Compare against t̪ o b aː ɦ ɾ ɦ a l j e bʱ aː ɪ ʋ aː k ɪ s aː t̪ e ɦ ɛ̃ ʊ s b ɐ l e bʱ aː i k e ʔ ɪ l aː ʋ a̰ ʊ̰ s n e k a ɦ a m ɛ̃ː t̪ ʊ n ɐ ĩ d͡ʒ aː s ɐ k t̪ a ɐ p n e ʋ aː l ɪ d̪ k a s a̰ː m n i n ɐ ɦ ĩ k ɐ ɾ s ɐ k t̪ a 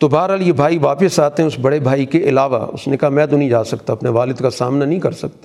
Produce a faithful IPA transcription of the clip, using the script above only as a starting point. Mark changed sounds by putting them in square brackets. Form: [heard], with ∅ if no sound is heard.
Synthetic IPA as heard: t̪ o b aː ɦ ɾ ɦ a l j e bʱ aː [i] ʋ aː [p] ɪ s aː t̪ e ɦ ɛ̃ ʊ s b ɐ [ɽ] e bʱ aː i k e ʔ ɪ l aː ʋ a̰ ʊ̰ s n e k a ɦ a m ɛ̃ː t̪ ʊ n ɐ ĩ d͡ʒ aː s ɐ k t̪ a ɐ p n e ʋ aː l ɪ d̪ k a s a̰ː m n [a] n ɐ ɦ ĩ k ɐ ɾ s ɐ k t̪ a